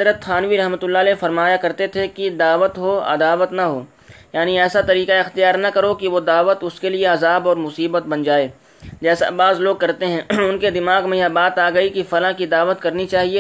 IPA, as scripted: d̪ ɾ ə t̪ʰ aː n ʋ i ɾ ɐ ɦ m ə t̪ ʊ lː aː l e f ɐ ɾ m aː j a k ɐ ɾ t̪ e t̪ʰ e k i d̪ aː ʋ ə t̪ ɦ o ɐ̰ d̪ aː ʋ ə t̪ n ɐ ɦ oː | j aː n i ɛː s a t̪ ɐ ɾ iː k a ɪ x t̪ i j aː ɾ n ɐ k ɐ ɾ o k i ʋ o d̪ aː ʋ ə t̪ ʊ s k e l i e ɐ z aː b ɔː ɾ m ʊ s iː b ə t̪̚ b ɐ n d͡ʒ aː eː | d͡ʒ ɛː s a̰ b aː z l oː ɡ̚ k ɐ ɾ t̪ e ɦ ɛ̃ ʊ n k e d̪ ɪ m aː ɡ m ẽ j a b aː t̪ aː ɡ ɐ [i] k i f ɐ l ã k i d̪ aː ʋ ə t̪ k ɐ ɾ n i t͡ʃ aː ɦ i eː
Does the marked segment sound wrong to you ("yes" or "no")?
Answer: no